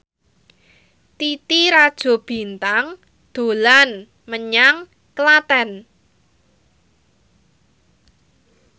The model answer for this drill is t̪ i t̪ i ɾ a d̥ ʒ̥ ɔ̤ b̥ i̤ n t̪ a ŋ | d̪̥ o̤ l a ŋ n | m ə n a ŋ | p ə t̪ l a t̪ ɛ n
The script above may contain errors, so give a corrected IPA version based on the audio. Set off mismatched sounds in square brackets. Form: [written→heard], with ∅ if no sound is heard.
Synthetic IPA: t̪ i t̪ i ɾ a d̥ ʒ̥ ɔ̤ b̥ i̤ n t̪ a ŋ | d̪̥ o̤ l a [ŋ→∅] n | m ə [n→ɲ] a ŋ | [p→k] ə [t̪→∅] l a t̪ ɛ n